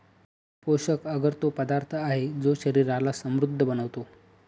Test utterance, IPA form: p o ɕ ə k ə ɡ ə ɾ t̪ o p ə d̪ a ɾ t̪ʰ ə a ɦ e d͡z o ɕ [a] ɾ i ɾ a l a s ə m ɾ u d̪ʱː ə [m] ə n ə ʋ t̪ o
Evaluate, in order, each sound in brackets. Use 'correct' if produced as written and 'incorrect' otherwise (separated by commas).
incorrect, incorrect